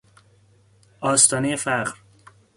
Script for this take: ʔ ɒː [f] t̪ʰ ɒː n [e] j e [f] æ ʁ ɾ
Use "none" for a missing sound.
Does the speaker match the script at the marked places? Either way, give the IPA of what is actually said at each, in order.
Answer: s, e, f

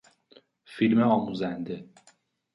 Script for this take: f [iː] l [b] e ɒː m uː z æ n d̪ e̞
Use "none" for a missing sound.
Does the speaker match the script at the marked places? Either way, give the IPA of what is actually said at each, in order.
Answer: i, m

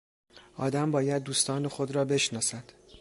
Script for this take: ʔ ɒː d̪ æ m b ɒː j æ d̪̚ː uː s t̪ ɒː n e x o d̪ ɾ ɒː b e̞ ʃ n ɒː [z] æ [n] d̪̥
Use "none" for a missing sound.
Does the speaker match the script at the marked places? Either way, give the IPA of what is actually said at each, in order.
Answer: s, none

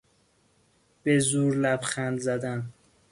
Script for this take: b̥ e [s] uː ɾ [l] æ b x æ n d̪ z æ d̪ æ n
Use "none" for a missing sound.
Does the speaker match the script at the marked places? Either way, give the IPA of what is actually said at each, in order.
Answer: z, l

